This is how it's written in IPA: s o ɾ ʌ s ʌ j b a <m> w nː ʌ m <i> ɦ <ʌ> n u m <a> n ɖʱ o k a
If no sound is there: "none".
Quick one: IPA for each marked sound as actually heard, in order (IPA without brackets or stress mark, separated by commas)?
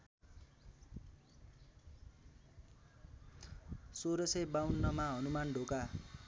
none, a, ʌ, a